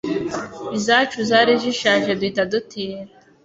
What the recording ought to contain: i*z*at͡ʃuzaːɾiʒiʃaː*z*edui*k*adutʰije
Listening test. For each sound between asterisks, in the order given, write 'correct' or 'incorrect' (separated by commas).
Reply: correct, incorrect, incorrect